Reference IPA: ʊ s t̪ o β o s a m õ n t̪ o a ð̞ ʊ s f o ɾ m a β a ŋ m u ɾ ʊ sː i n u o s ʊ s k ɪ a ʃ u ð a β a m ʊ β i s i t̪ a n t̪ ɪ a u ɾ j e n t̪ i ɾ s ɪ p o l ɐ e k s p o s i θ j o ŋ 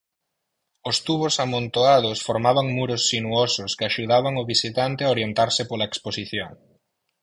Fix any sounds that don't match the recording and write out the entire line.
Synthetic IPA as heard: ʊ s t̪ u β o s a m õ n t̪ o a ð̞ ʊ s f o ɾ m a β a ŋ m u ɾ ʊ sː i n u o s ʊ s k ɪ a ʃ u ð a β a ŋ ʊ β i s i t̪ a n t̪ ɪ a o ɾ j e n t̪ a ɾ s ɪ p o l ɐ e k s p o s i θ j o ŋ